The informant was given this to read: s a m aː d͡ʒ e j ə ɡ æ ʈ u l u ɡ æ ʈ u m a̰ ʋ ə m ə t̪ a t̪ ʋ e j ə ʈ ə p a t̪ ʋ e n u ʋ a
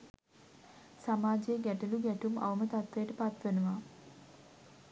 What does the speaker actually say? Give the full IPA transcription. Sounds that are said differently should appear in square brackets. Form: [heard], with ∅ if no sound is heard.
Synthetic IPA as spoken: s a m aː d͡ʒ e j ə ɡ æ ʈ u l u ɡ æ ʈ u m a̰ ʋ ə m ə t̪ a t̪ ʋ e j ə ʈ ə p a t̪ ʋ e n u ʋ a